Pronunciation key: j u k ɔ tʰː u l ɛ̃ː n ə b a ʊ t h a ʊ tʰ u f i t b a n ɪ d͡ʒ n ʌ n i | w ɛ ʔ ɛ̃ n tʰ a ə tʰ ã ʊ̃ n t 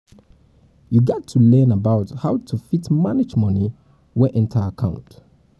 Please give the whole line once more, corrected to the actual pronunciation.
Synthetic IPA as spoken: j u ɡ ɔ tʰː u l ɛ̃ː n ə b a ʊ t h a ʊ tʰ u f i t m a n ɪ d͡ʒ m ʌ n i | w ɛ ʔ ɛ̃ n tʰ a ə kʰ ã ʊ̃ n t